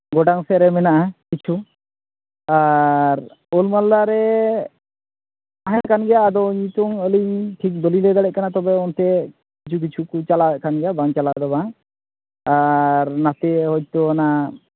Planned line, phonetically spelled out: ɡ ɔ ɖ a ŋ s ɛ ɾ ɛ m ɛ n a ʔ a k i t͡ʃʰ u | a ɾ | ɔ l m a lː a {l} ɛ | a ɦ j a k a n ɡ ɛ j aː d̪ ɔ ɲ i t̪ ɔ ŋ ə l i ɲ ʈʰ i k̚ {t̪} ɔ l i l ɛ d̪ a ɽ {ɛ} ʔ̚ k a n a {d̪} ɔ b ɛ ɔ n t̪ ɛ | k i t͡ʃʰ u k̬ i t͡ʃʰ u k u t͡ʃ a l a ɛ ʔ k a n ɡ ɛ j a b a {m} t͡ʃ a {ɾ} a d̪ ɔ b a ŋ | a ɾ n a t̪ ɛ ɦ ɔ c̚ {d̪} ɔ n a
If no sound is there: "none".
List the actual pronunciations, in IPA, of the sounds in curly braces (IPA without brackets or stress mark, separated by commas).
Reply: ɾ, d̪, ɛ, t̪, ŋ, l, t̪